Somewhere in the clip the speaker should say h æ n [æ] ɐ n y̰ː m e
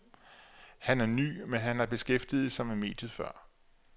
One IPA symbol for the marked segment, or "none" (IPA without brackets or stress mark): æ